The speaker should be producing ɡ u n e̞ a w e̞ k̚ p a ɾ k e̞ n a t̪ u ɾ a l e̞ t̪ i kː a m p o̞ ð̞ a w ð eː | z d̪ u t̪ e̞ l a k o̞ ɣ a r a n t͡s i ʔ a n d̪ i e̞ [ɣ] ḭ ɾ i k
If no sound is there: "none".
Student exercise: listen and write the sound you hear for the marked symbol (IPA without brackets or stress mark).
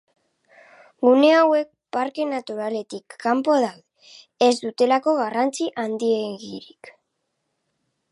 ɣ